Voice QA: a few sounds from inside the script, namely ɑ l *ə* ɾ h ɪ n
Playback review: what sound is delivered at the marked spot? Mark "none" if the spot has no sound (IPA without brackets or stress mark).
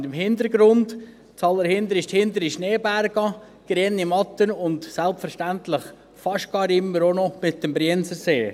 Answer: ə